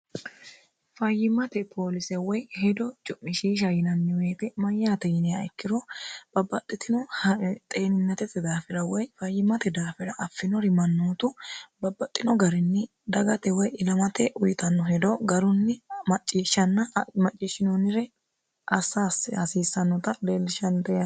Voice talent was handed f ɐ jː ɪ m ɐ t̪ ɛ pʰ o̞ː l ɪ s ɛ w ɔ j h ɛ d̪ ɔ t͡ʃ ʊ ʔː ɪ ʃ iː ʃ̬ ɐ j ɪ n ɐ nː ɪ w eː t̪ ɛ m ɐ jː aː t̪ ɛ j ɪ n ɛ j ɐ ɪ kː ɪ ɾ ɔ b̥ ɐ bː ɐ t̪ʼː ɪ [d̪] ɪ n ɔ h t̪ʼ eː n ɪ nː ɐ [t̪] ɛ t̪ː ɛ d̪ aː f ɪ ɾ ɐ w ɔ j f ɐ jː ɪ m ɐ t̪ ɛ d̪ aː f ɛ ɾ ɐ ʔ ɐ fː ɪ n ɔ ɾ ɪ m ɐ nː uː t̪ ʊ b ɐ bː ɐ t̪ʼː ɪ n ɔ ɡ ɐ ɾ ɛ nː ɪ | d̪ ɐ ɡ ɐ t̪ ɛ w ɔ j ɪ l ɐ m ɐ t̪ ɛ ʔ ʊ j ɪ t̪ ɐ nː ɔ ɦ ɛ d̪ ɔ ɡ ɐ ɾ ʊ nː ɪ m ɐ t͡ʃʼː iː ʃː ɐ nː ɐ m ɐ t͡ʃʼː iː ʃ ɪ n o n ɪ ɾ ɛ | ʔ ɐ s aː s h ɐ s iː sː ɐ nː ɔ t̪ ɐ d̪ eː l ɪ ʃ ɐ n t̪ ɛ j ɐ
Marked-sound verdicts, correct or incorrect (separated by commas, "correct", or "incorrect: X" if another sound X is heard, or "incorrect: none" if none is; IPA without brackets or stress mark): incorrect: t̪, correct